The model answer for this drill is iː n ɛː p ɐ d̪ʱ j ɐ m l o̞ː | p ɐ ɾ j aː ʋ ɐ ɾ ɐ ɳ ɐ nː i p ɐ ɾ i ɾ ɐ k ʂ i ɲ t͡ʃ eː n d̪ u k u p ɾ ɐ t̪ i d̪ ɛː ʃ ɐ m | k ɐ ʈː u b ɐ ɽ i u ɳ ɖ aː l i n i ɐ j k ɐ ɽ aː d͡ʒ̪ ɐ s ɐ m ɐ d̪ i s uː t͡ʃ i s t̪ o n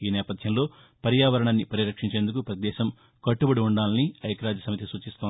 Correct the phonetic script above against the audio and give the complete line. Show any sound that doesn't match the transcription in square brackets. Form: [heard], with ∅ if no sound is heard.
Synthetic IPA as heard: iː n ɛː p ɐ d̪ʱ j ɐ m l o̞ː | p ɐ ɾ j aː ʋ ɐ ɾ ɐ ɳ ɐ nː i p ɐ ɾ i ɾ ɐ k ʂ i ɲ t͡ʃ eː n d̪ u k u p ɾ ɐ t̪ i d̪ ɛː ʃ ɐ m | k ɐ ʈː u b ɐ ɽ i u ɳ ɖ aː l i n i ɐ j k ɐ [ɾ] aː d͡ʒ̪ ɐ s ɐ m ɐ [t̪] i s uː t͡ʃ i s t̪ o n